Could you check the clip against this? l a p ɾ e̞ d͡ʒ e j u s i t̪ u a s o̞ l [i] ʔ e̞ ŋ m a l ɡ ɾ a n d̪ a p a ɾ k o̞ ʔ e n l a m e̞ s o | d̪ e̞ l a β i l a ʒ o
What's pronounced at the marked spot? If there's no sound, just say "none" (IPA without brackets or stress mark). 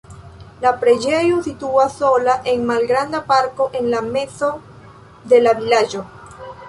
a